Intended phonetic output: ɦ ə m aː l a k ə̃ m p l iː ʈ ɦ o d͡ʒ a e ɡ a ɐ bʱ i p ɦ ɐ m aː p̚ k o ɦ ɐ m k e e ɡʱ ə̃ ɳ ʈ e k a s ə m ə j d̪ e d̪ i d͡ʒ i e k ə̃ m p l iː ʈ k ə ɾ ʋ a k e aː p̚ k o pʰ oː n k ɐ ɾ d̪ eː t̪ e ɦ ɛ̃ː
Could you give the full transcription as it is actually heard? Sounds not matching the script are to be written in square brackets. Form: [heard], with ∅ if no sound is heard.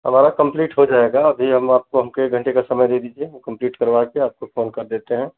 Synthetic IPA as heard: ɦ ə m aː [ɾ] a k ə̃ m p l iː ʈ ɦ o d͡ʒ a e ɡ a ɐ bʱ i [∅] ɦ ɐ m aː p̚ k o ɦ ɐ m k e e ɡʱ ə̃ ɳ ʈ e k a s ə m ə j d̪ e d̪ i d͡ʒ i e k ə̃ m p l iː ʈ k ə ɾ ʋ a k e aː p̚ k o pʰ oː n k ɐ ɾ d̪ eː t̪ e ɦ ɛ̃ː